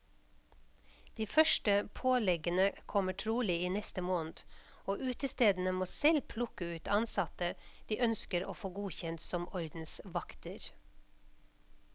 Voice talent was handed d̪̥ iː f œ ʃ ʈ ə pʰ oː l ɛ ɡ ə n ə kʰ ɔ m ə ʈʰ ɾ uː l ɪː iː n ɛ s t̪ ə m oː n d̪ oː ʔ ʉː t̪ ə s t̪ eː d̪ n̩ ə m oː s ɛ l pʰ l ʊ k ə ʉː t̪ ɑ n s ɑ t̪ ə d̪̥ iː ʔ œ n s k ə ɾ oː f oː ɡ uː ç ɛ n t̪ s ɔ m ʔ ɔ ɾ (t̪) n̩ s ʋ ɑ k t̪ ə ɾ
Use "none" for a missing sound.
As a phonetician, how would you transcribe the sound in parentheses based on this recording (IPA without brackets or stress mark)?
d̪